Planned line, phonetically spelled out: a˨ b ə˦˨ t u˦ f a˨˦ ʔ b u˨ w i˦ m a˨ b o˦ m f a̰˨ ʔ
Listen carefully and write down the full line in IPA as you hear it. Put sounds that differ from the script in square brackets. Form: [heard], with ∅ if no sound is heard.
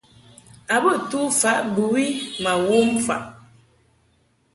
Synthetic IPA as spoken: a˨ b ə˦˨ t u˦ f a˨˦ ʔ b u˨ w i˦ m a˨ [w] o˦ m f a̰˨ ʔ

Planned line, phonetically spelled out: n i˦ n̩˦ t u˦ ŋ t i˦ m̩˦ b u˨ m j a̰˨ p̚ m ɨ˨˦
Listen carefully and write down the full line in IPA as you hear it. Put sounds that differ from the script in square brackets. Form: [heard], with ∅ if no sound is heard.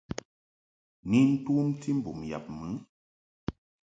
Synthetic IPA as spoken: n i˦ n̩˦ t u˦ [m] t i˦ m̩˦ b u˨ m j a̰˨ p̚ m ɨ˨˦

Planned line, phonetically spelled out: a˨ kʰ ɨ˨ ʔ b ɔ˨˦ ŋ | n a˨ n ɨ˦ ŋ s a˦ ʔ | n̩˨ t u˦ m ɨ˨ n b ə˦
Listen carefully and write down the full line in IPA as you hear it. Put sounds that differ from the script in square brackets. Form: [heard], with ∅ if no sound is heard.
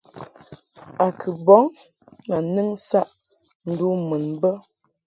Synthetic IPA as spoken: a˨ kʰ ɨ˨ [∅] b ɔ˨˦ ŋ | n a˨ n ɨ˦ ŋ s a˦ ʔ | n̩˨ [d] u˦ m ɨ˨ n b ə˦

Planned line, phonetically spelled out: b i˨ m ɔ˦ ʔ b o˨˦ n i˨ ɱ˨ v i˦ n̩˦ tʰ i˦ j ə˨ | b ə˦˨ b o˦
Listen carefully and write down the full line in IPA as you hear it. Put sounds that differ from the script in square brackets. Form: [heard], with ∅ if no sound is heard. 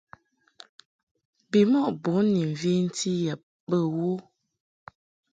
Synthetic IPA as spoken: b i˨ m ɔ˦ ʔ b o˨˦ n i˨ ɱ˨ v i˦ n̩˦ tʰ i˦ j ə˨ | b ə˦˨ [w] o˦

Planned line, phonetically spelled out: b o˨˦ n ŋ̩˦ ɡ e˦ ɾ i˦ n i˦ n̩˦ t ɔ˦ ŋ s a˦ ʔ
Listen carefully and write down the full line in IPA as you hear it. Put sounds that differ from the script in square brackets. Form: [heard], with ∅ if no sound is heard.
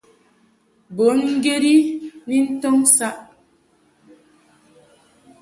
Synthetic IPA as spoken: b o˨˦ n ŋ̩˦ ɡ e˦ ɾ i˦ n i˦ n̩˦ t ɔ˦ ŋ s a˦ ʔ

